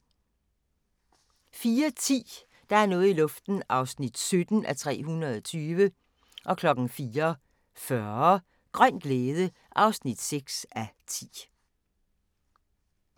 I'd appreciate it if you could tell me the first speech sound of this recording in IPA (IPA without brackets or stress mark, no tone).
f